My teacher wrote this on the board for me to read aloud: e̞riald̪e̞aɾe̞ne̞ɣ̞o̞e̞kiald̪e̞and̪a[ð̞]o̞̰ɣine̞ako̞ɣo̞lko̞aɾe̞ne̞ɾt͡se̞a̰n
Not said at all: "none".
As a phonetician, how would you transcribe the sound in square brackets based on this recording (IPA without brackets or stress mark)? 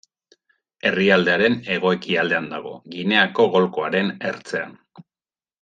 ɣ̞